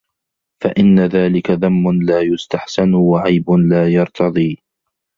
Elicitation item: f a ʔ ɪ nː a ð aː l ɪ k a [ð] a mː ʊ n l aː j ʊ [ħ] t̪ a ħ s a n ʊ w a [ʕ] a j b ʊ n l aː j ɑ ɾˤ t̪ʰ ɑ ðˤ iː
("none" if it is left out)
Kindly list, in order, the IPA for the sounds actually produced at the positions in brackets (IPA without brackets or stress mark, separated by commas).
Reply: ð, s, ʕ